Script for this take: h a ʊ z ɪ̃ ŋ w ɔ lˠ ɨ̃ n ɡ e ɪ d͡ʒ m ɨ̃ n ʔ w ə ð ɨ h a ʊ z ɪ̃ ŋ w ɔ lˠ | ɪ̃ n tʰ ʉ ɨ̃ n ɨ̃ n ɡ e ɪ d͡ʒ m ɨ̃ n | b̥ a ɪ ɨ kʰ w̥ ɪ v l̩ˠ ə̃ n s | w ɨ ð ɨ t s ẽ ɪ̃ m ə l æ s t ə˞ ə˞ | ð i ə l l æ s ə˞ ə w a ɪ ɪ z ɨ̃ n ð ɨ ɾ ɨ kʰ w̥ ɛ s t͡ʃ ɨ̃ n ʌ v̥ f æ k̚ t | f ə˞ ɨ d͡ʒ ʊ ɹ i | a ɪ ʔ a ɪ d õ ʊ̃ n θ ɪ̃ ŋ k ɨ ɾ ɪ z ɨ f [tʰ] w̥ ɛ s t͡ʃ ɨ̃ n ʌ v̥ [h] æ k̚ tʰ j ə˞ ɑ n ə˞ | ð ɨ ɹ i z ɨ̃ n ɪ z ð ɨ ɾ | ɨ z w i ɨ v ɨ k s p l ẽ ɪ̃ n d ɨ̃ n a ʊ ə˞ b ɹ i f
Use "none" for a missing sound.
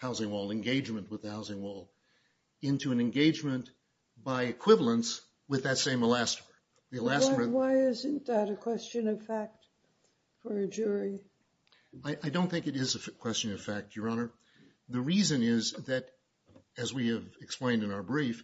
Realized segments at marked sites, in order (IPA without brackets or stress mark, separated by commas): kʰ, f